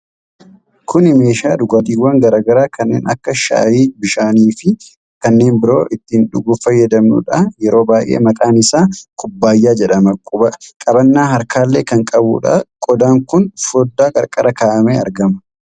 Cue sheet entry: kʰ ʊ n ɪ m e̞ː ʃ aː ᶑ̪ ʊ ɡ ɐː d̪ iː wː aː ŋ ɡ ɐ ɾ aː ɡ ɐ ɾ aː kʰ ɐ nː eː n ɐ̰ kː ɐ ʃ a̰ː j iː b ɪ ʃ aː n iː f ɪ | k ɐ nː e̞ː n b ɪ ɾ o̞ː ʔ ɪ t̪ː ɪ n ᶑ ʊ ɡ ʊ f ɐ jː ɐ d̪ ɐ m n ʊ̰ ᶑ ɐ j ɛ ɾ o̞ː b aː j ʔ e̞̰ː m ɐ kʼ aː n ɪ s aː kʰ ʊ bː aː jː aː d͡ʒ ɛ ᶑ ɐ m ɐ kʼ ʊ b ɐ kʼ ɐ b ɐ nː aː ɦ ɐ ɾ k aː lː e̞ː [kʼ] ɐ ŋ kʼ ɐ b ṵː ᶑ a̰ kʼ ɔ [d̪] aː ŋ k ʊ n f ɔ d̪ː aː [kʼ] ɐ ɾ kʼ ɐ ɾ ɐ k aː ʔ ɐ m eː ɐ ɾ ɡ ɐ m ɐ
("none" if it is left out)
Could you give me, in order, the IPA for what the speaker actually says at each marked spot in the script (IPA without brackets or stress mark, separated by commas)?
k, d̪, kʼ